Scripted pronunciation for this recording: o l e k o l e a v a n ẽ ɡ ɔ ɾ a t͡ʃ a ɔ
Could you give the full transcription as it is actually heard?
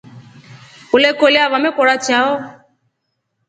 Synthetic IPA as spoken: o l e k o l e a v a m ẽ k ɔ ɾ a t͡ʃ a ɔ